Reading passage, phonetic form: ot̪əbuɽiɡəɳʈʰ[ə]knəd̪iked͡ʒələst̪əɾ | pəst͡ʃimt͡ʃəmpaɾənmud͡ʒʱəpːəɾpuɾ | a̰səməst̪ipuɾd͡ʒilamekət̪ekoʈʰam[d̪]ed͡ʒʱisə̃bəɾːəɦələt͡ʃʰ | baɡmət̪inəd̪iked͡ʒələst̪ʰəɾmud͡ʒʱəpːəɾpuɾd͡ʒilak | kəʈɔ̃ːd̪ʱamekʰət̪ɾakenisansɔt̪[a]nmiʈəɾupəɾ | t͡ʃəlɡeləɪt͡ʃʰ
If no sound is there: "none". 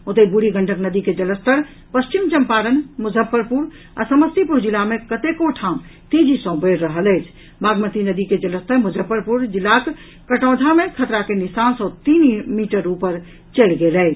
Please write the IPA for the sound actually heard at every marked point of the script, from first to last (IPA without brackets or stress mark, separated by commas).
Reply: ə, t̪, i